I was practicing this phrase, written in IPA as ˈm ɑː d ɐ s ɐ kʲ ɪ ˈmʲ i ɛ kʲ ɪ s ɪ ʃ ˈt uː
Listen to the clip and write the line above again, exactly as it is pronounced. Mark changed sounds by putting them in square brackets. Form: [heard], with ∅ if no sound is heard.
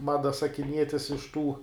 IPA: ˈm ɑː d ɐ s ɐ kʲ ɪ [ˈnʲ] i ɛ [tʲ] ɪ s ɪ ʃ ˈt uː